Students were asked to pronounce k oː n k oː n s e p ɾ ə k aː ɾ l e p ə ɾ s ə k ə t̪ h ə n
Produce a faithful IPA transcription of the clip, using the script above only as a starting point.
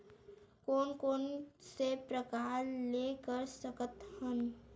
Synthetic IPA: k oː n k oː n s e p ɾ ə k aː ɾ l e k ə ɾ s ə k ə t̪ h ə n

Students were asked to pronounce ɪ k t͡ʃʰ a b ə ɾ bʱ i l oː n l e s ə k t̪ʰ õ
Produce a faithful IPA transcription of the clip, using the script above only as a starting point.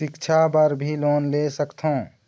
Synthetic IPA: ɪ k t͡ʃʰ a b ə ɾ bʱ i l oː n l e s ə k t̪ʰ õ

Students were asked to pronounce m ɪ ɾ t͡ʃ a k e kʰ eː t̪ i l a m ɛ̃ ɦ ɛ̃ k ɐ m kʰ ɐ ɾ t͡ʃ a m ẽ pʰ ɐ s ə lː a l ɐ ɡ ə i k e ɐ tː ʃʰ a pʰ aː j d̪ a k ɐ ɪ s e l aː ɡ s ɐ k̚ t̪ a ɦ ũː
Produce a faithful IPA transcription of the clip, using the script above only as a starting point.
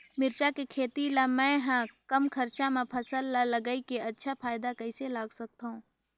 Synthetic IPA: m ɪ ɾ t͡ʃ a k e kʰ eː t̪ i l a m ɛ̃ ɦ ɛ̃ k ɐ m kʰ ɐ ɾ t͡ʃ a m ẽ pʰ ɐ s ə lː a l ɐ ɡ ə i k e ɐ tː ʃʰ a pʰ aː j d̪ a k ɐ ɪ s e l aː ɡ s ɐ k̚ t̪ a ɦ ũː

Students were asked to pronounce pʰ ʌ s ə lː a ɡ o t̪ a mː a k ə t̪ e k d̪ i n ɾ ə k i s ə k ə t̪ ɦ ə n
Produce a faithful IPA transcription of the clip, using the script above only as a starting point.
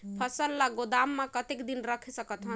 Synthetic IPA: pʰ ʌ s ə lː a ɡ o d̪ a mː a k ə t̪ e k d̪ i n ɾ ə kʰ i s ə k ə t̪ ɦ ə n

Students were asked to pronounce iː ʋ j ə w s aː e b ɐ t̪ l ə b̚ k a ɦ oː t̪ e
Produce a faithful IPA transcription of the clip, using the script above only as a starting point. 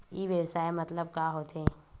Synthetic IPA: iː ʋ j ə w s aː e m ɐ t̪ l ə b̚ k a ɦ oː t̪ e

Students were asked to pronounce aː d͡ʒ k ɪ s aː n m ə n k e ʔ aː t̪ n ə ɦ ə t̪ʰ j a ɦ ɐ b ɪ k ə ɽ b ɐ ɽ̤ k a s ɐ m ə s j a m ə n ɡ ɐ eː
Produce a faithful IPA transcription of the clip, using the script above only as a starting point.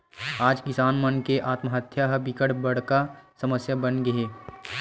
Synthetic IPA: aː d͡ʒ k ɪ s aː n m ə n k e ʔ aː t̪ m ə ɦ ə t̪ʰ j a ɦ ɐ b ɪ k ə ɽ b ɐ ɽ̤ k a s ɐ m ə s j a b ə n ɡ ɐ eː

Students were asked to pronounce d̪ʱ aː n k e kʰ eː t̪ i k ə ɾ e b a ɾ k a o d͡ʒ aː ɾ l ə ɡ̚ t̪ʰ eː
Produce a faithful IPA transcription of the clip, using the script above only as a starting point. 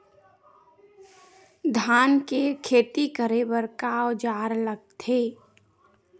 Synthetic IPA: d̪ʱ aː n k e kʰ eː t̪ i k ə ɾ e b ə ɾ k a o d͡ʒ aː ɾ l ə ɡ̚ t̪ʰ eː

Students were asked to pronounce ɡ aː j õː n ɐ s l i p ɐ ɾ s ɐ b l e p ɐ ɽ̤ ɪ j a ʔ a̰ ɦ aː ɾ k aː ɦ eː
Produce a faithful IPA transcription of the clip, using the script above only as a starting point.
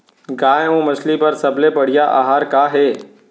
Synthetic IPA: ɡ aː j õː m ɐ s l i p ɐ ɾ s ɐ b l e p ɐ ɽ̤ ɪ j a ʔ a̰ ɦ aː ɾ k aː ɦ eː

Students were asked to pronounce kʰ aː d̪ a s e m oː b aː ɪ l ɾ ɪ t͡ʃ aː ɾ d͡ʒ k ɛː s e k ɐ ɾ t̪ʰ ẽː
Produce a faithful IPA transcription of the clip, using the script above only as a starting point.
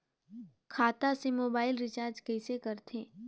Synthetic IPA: kʰ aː t̪ a s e m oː b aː ɪ l ɾ ɪ t͡ʃ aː ɾ d͡ʒ k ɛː s e k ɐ ɾ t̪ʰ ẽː

